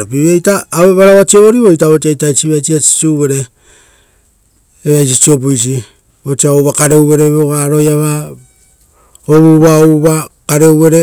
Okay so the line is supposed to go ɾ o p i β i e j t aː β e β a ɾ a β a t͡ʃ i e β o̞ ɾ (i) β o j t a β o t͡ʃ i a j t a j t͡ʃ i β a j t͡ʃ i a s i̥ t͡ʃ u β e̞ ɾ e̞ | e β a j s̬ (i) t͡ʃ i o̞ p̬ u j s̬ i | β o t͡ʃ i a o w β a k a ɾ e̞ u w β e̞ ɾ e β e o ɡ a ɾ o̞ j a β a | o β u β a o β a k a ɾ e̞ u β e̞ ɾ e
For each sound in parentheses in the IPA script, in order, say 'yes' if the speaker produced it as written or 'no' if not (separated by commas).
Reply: yes, yes